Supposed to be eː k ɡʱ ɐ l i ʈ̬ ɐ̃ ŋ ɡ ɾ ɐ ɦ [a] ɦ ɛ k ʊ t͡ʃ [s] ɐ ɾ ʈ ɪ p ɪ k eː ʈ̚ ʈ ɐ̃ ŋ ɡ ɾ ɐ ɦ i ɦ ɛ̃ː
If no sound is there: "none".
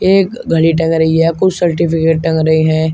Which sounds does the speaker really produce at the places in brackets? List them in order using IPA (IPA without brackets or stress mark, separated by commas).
i, s